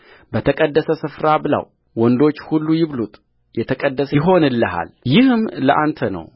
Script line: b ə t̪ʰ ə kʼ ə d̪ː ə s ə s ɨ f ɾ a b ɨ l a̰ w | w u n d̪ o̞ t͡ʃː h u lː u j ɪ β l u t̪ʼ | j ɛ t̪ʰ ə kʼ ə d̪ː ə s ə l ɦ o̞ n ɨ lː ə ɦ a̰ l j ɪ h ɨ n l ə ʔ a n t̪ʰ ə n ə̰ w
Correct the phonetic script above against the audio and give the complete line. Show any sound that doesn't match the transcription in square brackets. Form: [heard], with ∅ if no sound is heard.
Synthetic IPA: b ə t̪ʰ ə kʼ ə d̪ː ə s ə s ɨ f ɾ a b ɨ l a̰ w | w [ɔ] n d̪ o̞ t͡ʃː h u lː u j ɪ β l u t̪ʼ | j ɛ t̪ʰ ə kʼ ə d̪ː ə s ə [∅] ɦ o̞ n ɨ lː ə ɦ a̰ l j ɪ h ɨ [m] l ə ʔ a n t̪ʰ ə n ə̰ w